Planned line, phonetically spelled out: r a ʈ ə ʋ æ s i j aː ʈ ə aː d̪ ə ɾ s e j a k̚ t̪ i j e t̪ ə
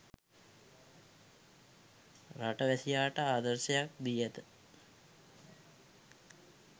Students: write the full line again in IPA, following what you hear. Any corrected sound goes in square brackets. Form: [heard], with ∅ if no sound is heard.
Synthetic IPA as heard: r a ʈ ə ʋ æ s i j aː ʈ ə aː d̪ ə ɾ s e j a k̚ [d̪] i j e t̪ ə